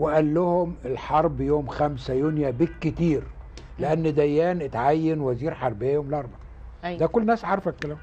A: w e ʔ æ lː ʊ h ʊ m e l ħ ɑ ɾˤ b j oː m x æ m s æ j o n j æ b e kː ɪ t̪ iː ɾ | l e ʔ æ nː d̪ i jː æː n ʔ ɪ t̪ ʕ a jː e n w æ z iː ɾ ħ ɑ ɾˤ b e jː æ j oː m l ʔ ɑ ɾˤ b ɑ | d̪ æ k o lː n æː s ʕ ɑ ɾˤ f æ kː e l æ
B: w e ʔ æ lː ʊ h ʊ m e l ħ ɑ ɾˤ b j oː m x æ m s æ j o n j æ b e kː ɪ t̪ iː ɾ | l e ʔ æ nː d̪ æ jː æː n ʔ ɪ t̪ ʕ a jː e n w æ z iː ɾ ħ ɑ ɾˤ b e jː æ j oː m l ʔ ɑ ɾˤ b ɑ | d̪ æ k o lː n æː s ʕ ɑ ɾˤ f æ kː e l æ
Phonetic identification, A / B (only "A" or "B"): B